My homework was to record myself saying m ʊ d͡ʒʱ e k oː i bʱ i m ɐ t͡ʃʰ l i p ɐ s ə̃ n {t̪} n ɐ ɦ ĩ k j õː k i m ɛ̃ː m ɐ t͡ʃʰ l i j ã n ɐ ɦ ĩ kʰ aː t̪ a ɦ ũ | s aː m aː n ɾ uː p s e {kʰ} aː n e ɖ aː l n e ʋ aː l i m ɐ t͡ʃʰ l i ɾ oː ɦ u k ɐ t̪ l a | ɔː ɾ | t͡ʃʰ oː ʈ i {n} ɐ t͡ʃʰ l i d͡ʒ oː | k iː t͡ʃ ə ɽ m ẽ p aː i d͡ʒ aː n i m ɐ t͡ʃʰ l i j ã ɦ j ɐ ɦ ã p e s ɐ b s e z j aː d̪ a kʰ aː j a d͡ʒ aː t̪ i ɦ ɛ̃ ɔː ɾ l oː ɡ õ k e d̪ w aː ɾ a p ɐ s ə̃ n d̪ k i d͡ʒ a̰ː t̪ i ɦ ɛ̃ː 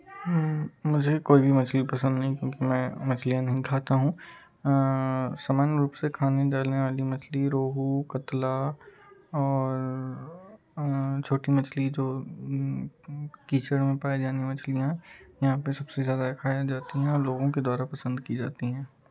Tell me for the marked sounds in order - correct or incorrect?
incorrect: d̪, correct, incorrect: m

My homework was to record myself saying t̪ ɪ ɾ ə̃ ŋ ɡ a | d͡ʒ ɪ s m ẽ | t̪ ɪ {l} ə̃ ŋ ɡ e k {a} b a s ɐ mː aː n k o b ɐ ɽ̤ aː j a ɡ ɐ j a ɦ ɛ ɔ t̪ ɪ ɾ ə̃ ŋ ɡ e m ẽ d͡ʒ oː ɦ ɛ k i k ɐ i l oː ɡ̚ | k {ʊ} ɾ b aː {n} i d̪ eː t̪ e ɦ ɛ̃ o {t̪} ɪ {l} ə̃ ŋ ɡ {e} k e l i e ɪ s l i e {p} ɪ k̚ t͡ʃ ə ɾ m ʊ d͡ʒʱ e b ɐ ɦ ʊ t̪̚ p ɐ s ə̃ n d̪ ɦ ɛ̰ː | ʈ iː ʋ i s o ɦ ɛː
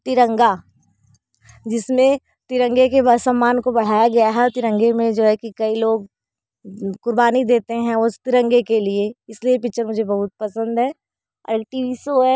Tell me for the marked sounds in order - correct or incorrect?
incorrect: ɾ, incorrect: e, correct, correct, correct, incorrect: ɾ, correct, correct

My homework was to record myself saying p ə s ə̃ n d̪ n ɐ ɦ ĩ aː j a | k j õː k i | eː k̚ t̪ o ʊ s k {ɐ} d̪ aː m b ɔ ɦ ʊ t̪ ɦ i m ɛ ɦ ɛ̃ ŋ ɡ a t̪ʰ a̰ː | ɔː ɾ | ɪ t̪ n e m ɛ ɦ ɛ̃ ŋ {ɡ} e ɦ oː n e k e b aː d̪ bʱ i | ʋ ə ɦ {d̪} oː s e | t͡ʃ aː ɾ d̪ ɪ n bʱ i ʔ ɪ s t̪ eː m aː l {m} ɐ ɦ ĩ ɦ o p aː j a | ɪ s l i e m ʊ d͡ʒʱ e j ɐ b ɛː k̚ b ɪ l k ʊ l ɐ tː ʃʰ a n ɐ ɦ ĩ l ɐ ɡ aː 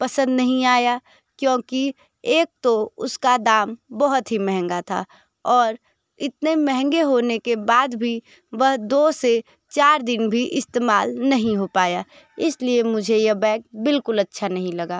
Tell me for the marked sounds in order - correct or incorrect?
incorrect: a, correct, correct, incorrect: n

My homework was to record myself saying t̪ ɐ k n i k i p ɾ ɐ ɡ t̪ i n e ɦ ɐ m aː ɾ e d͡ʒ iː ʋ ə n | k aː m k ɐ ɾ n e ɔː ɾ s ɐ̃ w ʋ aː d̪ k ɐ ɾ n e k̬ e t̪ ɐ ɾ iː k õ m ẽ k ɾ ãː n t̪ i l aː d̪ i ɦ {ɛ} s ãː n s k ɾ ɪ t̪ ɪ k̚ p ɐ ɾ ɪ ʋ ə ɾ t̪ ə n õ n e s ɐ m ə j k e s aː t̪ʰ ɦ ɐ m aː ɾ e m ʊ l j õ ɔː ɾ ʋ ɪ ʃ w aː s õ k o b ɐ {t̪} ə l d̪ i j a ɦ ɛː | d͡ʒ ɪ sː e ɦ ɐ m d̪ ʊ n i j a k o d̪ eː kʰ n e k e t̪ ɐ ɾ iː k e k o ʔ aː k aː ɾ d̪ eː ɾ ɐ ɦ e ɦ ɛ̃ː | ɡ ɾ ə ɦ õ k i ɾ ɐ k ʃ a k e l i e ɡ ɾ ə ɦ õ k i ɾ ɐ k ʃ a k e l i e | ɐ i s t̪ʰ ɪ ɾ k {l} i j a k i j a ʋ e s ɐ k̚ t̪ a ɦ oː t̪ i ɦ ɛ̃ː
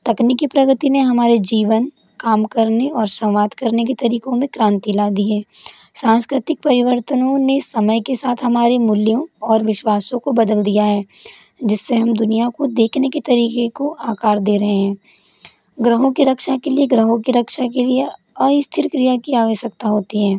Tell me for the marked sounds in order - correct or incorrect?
incorrect: ɛː, incorrect: d̪, incorrect: ɾ

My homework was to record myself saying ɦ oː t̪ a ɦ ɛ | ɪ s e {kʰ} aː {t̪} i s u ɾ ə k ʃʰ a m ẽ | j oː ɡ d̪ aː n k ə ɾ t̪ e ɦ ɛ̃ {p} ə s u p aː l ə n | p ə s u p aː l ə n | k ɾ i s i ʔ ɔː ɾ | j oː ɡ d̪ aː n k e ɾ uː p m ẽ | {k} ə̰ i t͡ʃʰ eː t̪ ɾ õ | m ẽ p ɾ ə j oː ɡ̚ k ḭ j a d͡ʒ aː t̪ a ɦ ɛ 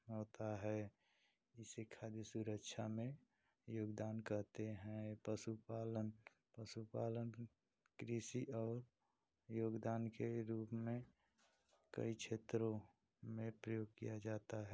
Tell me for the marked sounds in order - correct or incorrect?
correct, incorrect: d̪, correct, correct

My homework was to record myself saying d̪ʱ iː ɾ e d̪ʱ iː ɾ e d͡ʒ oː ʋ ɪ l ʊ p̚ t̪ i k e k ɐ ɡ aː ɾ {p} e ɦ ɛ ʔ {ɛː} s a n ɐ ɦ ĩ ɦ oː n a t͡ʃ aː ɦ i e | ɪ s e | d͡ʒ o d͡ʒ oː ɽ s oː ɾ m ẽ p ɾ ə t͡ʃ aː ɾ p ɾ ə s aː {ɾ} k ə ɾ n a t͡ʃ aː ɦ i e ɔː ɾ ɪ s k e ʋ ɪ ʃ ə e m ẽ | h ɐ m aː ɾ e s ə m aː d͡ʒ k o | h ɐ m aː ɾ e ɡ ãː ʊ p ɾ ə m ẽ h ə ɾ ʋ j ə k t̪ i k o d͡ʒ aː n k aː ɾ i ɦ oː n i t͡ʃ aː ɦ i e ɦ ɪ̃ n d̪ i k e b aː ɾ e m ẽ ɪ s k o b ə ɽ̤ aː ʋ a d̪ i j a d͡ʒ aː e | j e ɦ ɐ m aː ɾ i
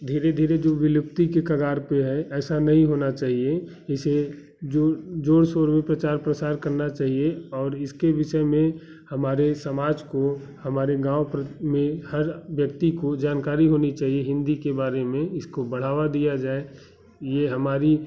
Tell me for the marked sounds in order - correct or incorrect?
correct, correct, correct

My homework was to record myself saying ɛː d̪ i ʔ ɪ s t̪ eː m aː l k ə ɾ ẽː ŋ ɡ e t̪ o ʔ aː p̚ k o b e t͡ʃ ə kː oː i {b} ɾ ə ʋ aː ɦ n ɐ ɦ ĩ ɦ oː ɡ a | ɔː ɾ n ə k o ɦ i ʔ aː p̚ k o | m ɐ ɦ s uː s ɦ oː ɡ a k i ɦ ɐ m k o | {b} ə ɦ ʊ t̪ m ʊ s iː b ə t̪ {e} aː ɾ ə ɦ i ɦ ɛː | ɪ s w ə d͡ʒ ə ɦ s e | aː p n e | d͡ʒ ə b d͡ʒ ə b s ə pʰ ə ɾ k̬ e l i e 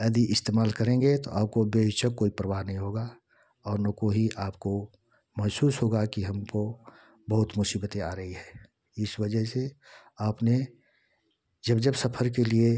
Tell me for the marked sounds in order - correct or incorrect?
incorrect: p, correct, correct

